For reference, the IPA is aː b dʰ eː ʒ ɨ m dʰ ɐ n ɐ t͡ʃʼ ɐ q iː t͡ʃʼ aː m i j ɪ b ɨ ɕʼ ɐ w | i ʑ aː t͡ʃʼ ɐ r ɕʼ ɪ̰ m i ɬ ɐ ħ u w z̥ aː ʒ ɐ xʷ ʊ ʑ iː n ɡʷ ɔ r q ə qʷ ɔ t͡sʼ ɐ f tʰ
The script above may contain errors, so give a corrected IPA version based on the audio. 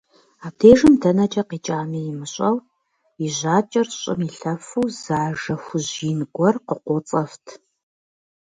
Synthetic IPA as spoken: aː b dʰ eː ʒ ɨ m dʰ ɐ n ɐ t͡ʃʼ ɐ q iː t͡ʃʼ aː m i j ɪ m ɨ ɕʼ ɐ w | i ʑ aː t͡ʃʼ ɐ r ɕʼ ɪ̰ m i ɬ ɐ f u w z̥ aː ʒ ɐ xʷ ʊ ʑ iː n ɡʷ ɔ r q ə qʷ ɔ t͡sʼ ɐ f tʰ